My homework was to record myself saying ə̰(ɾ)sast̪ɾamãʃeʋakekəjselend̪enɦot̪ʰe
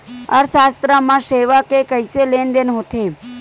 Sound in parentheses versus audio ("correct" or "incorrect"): correct